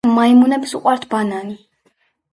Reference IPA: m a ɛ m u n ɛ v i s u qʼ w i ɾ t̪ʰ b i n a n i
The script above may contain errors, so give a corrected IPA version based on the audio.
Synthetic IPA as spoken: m a i m u n ɛ b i s u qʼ w a ɾ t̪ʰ b a n a n i